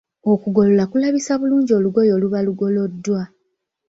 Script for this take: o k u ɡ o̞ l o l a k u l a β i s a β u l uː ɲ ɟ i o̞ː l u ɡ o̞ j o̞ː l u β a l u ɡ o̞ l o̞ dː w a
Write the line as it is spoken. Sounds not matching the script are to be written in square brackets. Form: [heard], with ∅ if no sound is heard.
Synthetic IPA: o k u ɡ o̞ l o l a k u l a β i s a β u l uː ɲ ɟ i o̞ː l u ɡ o̞ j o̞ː l u β a l u ɡ o̞ l o̞ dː w a